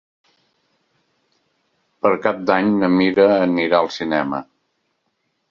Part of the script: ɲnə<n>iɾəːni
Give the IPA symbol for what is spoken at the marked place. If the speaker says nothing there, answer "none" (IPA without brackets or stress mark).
m